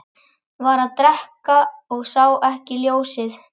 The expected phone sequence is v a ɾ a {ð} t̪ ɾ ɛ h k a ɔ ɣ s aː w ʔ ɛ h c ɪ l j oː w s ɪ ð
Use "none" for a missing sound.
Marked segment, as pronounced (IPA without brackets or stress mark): ð